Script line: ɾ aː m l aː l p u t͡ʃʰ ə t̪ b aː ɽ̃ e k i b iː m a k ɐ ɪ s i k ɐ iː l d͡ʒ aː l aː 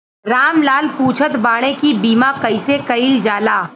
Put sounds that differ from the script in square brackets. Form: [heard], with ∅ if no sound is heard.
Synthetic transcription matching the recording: ɾ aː m l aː l p [uː] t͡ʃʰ ə t̪ b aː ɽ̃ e k i b iː m a k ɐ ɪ s [e] k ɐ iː l d͡ʒ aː l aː